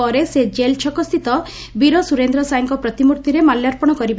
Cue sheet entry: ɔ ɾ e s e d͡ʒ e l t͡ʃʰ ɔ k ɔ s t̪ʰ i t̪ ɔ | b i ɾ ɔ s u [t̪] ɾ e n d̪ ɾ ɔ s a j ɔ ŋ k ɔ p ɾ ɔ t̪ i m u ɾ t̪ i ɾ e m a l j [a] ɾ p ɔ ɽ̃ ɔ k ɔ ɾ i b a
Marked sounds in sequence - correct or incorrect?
incorrect, correct

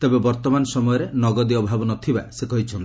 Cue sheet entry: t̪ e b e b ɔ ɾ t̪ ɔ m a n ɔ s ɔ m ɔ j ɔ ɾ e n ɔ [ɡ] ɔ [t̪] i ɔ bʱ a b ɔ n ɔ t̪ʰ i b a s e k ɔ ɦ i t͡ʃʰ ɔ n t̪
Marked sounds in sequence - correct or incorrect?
correct, incorrect

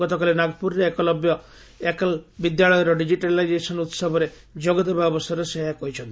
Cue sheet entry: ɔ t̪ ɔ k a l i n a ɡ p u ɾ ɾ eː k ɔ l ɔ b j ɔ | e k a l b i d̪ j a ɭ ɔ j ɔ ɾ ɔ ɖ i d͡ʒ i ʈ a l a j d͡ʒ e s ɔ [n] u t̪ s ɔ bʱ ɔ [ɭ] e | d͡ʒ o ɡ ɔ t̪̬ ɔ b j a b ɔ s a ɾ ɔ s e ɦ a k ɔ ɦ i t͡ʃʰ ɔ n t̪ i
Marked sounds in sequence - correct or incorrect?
correct, incorrect

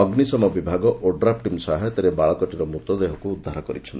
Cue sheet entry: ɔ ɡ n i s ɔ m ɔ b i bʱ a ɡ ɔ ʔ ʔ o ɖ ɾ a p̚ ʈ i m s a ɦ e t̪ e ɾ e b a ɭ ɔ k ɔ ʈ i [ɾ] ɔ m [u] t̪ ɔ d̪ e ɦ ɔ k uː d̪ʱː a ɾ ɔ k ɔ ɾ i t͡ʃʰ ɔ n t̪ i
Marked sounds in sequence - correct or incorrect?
correct, correct

